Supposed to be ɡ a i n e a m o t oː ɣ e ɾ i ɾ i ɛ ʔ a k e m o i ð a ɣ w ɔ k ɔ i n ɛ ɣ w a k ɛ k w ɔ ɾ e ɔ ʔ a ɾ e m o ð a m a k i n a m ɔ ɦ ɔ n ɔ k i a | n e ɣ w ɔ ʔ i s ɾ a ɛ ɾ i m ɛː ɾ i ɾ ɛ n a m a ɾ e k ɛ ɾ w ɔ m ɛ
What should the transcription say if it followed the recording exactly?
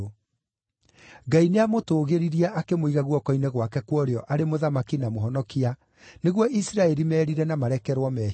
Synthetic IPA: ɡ a i n e a m o t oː ɣ e ɾ i ɾ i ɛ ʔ a k e m o i ɣ a ɣ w ɔ k ɔ i n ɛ ɣ w a k ɛ k w ɔ ɾ e ɔ ʔ a ɾ e m o ð a m a k i n a m o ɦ ɔ n ɔ k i a | n e ɣ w ɔ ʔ i s ɾ a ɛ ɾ i m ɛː ɾ i ɾ ɛ n a m a ɾ ɛ k ɛ ɾ w ɔ m ɛ